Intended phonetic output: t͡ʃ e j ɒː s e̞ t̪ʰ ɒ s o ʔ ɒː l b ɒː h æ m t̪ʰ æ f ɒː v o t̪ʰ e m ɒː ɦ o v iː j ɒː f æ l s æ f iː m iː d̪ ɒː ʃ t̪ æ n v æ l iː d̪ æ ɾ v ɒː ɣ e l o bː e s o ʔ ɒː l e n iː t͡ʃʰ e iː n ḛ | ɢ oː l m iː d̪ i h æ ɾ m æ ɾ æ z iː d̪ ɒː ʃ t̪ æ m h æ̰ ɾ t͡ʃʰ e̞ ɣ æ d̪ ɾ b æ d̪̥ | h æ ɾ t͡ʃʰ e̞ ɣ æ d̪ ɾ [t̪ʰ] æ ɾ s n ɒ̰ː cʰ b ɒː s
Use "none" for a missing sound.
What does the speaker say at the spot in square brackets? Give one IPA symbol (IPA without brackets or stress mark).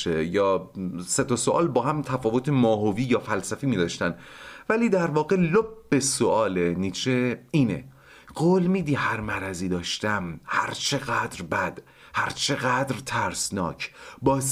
t̪ʰ